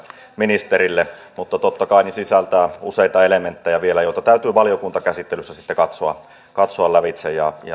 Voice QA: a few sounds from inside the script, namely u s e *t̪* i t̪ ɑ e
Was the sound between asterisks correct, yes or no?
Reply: no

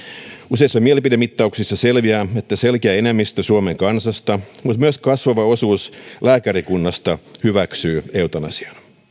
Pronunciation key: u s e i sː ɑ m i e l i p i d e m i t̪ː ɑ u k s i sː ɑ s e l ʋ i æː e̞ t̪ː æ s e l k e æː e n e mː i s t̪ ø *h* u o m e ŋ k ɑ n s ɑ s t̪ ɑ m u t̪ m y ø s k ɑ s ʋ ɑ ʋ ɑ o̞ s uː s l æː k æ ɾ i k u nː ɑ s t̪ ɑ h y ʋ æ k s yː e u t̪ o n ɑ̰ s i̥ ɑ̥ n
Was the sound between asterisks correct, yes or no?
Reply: no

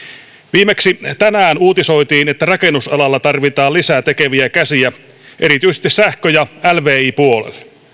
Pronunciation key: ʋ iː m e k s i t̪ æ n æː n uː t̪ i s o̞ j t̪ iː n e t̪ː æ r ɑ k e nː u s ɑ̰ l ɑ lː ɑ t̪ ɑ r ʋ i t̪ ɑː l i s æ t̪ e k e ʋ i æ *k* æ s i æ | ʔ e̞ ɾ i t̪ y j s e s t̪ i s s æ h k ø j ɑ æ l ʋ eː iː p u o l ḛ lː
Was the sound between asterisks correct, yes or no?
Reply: yes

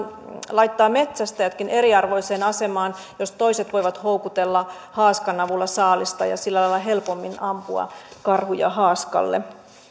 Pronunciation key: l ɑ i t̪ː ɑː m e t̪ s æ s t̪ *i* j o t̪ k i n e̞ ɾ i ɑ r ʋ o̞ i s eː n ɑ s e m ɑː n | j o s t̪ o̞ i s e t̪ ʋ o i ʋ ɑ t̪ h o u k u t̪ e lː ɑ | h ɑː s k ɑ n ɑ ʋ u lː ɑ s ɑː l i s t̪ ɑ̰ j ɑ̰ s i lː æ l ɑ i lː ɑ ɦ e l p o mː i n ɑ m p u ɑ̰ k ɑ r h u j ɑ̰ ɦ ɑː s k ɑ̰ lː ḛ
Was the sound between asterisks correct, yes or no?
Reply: no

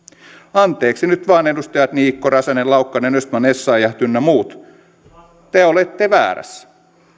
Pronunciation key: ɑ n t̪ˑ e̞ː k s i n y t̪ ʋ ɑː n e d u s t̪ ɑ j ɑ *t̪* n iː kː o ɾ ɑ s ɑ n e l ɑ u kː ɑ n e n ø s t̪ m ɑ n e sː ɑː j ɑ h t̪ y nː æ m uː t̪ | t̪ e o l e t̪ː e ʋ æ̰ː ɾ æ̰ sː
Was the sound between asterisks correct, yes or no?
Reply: yes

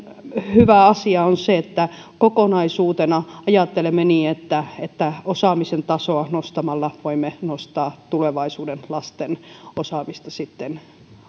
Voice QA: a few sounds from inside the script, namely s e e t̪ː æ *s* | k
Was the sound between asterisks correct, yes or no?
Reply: no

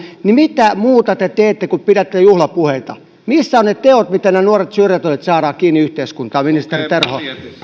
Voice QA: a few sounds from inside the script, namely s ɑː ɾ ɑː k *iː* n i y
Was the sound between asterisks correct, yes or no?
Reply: yes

